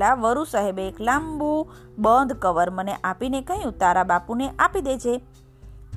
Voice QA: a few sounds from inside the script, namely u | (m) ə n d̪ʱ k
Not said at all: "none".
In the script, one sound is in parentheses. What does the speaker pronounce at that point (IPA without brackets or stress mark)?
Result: b